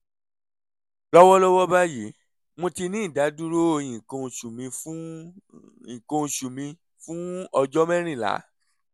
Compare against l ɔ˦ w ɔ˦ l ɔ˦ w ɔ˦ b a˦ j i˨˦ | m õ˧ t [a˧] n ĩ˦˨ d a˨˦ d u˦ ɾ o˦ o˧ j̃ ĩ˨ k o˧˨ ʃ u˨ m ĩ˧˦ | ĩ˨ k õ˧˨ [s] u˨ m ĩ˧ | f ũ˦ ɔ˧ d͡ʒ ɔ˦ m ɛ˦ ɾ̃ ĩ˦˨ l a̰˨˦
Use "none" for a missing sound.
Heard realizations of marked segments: i˧, ʃ

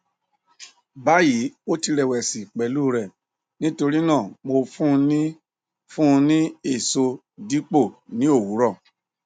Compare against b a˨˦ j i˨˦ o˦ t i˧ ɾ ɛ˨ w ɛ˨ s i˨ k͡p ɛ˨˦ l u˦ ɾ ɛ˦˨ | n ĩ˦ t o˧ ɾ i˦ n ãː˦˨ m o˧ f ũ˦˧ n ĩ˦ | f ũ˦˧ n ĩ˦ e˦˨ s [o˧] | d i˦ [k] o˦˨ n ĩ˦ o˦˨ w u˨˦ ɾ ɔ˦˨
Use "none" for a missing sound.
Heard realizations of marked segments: o˧, k͡p

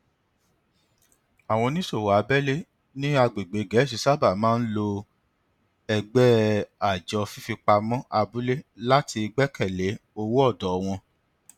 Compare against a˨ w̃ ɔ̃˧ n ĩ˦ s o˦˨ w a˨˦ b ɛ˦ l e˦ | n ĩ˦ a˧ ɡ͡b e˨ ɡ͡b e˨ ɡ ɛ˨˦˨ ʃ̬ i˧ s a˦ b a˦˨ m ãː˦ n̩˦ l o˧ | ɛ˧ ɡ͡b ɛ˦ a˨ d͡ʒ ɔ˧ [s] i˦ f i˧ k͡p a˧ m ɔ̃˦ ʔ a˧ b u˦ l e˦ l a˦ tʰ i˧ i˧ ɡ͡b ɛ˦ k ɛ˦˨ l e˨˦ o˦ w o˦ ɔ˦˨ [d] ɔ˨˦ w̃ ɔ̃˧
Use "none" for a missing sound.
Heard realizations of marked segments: f, d

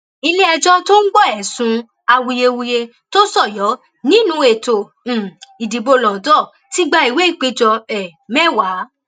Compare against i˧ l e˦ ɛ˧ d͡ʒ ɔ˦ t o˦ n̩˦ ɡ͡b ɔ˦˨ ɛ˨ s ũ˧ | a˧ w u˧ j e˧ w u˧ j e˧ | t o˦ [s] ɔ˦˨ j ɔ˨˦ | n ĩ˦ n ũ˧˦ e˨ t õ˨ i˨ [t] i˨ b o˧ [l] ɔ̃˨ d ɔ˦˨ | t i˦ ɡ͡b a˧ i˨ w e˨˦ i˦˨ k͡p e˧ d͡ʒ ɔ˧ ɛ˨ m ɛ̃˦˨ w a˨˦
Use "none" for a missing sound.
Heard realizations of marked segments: s, d, l

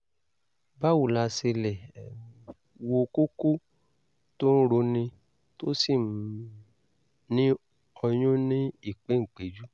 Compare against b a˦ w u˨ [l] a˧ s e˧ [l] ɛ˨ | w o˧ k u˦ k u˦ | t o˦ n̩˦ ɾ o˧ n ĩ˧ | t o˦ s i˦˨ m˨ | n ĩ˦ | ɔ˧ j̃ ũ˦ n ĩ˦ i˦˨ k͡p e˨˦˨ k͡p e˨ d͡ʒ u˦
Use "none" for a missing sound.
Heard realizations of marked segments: l, l

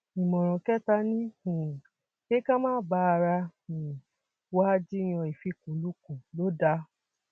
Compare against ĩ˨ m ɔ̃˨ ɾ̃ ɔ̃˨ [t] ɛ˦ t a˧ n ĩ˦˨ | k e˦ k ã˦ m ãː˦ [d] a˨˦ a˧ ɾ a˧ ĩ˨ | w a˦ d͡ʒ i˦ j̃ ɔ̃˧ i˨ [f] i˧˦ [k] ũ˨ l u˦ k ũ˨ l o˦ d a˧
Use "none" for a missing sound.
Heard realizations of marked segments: k, b, f, k

